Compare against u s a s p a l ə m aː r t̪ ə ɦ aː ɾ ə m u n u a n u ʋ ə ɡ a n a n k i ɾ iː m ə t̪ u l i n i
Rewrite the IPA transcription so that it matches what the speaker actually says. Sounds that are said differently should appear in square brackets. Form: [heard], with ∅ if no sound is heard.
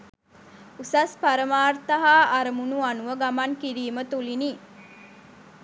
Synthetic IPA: u s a s p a [ɾ] ə m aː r t̪ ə ɦ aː ɾ ə m u n u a n u ʋ ə ɡ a [m] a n k i ɾ iː m ə t̪ u l i n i